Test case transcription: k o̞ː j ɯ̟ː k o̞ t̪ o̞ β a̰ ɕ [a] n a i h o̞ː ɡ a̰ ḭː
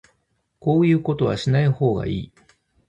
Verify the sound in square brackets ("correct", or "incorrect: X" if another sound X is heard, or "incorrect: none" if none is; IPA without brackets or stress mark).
incorrect: i